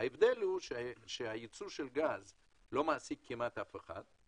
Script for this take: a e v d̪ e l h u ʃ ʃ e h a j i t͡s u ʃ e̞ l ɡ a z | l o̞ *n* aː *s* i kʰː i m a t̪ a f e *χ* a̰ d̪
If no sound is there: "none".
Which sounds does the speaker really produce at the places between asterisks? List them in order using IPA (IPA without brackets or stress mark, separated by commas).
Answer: m, s, χ